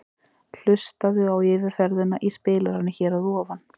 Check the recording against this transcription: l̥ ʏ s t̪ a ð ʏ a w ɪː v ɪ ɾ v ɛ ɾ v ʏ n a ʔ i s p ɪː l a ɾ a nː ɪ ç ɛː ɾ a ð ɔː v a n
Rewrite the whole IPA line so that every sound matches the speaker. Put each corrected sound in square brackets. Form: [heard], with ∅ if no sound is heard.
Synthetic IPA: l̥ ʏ s t̪ a ð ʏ a w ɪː v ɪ ɾ [f] ɛ ɾ [ð] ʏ n a ʔ i s p ɪː l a ɾ a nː ɪ ç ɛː ɾ a ð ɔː v a n